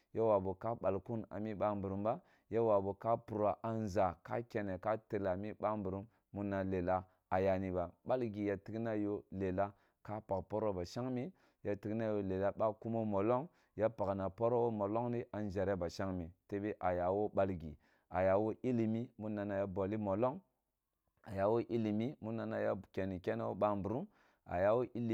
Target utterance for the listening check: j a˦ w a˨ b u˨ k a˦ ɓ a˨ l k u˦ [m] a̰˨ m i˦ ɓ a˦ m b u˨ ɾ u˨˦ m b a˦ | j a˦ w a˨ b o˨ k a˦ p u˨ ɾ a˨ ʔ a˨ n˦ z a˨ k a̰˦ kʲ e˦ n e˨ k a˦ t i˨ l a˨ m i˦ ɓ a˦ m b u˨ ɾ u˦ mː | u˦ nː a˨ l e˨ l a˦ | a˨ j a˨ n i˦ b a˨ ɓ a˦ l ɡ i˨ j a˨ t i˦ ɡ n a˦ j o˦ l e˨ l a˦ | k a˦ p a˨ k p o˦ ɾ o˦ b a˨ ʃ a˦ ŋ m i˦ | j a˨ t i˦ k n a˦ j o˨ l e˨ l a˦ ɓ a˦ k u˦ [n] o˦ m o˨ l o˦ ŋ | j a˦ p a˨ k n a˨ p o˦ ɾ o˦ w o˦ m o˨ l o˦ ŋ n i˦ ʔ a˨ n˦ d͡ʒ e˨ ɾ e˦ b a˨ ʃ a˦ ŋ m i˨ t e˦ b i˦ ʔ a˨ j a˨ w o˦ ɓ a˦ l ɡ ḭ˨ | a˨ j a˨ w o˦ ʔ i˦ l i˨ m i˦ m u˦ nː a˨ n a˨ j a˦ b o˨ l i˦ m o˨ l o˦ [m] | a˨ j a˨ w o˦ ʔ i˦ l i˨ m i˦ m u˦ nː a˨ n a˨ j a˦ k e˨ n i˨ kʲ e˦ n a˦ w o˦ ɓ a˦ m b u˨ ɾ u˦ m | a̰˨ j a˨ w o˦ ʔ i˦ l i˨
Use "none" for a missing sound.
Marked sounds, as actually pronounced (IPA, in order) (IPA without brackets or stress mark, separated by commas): n, m, ŋ